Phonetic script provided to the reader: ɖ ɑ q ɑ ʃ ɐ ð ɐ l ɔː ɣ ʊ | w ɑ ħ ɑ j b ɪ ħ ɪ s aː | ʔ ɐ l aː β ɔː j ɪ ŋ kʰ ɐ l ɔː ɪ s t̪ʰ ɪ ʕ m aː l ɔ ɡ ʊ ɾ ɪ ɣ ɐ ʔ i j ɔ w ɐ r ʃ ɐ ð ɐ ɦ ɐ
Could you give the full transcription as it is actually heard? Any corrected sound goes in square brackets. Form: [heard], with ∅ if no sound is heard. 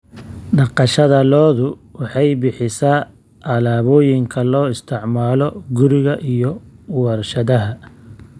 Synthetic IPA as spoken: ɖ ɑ q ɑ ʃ ɐ ð ɐ l ɔː [ð] ʊ | w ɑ ħ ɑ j b ɪ ħ ɪ s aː | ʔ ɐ l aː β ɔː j ɪ ŋ kʰ ɐ l ɔː ɪ s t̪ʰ ɪ ʕ m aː l ɔ ɡ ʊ ɾ ɪ ɣ ɐ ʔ i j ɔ w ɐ r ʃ ɐ ð ɐ ɦ ɐ